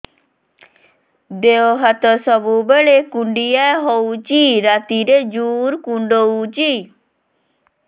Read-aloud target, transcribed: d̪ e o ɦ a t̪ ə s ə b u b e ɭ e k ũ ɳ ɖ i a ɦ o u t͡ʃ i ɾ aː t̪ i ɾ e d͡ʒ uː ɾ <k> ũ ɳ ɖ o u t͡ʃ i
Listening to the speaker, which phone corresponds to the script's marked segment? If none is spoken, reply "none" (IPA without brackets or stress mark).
k